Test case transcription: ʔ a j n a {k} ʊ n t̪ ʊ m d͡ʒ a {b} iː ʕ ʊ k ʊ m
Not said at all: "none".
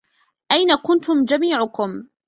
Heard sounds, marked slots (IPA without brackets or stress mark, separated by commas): k, m